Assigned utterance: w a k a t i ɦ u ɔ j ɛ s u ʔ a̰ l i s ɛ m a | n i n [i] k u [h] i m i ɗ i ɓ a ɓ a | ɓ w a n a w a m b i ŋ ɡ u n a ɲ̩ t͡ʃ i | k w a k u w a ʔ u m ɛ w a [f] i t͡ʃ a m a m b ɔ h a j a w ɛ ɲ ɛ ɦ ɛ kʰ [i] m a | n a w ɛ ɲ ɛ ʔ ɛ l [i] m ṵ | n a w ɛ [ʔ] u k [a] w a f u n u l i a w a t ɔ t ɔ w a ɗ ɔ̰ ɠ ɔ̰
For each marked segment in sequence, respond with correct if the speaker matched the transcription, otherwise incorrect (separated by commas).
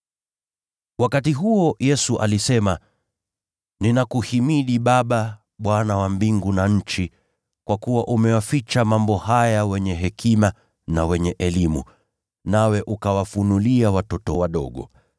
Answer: incorrect, correct, correct, correct, correct, correct, correct